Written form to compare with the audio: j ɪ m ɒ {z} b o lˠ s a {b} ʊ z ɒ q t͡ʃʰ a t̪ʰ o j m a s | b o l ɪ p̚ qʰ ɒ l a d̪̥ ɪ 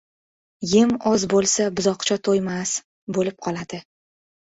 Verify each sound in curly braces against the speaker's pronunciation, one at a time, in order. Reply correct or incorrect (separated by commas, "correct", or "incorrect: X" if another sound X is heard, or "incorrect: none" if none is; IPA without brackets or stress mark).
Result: correct, correct